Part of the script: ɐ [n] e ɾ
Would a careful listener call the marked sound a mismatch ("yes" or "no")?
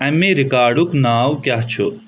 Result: yes